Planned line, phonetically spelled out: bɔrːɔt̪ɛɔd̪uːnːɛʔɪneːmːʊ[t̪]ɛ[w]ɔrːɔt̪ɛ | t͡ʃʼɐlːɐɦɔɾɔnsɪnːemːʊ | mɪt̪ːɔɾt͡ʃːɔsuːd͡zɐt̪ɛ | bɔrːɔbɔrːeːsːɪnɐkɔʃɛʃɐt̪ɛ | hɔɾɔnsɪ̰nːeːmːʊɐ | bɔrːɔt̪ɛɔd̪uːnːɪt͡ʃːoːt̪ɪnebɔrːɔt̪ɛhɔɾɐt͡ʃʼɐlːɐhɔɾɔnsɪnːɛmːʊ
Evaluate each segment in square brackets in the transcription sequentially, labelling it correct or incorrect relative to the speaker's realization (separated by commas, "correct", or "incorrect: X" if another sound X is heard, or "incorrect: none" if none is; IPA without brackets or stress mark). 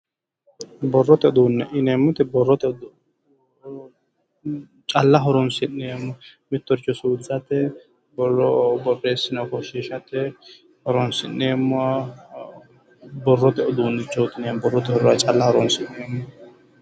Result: correct, incorrect: b